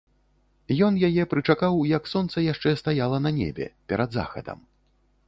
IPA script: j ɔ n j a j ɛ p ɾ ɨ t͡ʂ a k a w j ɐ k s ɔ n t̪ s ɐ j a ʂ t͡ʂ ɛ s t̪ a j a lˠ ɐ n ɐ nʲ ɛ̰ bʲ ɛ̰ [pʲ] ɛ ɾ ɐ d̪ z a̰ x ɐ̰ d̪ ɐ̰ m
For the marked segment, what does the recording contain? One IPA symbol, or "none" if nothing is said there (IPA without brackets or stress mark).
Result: pʲ